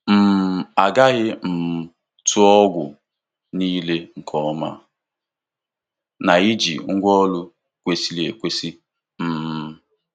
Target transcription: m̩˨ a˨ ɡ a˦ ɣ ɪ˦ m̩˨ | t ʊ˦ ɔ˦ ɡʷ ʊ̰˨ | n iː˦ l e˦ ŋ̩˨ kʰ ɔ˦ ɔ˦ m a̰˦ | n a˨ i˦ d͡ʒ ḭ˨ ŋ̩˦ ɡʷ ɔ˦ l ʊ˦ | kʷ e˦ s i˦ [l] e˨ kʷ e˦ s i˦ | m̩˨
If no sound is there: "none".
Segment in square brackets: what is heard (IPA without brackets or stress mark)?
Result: l